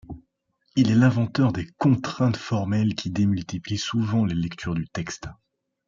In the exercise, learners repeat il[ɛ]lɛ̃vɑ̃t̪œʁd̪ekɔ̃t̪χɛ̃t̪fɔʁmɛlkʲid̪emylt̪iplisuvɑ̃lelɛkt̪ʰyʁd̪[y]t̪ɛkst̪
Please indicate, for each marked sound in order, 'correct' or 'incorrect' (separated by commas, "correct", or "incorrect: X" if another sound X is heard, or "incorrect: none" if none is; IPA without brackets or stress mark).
correct, correct